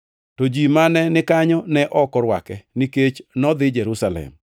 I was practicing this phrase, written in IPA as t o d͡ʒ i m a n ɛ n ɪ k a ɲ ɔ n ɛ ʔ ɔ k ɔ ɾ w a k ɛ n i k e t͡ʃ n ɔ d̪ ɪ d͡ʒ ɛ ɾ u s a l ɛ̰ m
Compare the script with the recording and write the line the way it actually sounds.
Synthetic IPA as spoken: t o d͡ʒ i m a n ɛ n ɪ k a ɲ ɔ n ɛ ʔ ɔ k ɔ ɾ w a k ɛ n i k e t͡ʃ n ɔ d̪ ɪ d͡ʒ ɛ ɾ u s a l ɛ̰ m